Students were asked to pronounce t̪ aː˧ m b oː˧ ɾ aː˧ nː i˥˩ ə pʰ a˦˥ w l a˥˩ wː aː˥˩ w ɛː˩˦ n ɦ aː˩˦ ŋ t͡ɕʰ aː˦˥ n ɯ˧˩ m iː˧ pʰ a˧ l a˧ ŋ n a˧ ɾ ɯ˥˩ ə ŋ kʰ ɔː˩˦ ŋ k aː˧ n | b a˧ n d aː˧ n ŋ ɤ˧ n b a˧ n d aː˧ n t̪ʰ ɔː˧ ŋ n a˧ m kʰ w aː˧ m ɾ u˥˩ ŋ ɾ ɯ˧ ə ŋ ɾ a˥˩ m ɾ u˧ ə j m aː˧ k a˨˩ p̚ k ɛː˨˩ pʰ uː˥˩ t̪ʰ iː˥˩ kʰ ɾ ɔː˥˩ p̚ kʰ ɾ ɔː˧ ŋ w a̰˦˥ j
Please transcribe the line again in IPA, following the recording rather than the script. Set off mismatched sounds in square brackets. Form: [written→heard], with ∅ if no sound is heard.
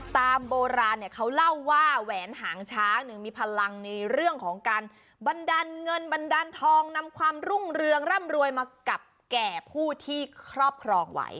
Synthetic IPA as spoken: t̪ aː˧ m b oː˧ ɾ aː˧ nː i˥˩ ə [pʰ→kʰ] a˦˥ w l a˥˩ wː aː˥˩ w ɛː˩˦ n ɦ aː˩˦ ŋ t͡ɕʰ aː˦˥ n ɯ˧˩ m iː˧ pʰ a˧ l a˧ ŋ n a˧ ɾ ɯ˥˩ ə ŋ kʰ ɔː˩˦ ŋ k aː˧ n | b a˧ n d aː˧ n ŋ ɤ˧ n b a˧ n d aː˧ n t̪ʰ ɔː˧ ŋ n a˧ m kʰ w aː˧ m ɾ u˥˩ ŋ ɾ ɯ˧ ə ŋ ɾ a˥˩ m ɾ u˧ ə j m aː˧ k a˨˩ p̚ k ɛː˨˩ pʰ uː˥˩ t̪ʰ iː˥˩ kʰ ɾ ɔː˥˩ p̚ kʰ ɾ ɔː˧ ŋ w a̰˦˥ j

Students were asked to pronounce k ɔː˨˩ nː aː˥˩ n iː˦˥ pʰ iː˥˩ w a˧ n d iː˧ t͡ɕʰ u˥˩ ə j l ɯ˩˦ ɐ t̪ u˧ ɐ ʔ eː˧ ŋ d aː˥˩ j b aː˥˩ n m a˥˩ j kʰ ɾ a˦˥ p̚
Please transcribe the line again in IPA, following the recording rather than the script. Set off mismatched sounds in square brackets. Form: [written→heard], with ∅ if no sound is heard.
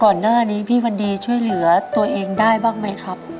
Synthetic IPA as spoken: k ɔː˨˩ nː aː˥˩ n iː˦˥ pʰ iː˥˩ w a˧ n d iː˧ t͡ɕʰ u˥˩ ə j l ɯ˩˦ ɐ t̪ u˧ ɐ ʔ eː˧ ŋ d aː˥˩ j b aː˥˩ [n→ŋ] m [a˥˩→a˦˥] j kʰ ɾ a˦˥ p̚

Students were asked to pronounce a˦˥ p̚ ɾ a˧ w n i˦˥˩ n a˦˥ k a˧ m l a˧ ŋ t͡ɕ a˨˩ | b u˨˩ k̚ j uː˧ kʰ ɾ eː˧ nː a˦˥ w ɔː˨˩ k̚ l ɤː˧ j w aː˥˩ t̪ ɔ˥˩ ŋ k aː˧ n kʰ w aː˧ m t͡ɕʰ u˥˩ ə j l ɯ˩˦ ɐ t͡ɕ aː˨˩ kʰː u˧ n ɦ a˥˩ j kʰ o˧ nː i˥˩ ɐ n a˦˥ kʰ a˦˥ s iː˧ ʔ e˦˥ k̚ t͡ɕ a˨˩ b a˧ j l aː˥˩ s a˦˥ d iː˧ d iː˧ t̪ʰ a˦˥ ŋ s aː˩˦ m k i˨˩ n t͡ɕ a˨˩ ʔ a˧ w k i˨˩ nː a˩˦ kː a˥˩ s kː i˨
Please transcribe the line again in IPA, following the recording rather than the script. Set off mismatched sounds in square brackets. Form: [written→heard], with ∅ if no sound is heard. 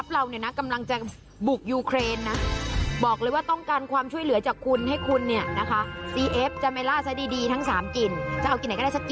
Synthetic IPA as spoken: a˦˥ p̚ ɾ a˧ w n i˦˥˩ n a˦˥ k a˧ m l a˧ ŋ t͡ɕ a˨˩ | b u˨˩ k̚ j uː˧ kʰ ɾ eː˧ nː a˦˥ [w→b] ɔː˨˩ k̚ l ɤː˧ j w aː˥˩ t̪ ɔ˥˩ ŋ k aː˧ n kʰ w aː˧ m t͡ɕʰ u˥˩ ə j l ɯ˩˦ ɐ t͡ɕ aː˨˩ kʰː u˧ n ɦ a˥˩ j kʰ [o˧→u˧] nː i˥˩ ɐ n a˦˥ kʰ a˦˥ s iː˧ ʔ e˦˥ [k̚→p̚] t͡ɕ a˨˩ [b→m] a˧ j l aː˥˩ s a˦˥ d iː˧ d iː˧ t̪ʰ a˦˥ ŋ s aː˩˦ m k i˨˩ n t͡ɕ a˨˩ ʔ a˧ w k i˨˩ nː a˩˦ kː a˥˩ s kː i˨

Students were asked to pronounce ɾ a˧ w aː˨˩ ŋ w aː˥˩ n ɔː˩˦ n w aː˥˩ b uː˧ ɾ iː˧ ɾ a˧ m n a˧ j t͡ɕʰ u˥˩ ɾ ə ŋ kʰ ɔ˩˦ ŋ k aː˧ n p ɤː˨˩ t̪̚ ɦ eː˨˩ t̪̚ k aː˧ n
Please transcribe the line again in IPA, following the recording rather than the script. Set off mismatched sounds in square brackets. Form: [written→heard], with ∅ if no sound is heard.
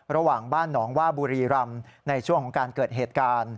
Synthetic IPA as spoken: ɾ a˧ w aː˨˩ ŋ [w→b] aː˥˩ [n→nː] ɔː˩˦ [n→ŋ] w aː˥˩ b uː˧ ɾ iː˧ ɾ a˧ m n a˧ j t͡ɕʰ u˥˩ [ɾ→∅] ə ŋ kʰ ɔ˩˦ ŋ k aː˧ n [p→k] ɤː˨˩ t̪̚ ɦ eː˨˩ t̪̚ k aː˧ n

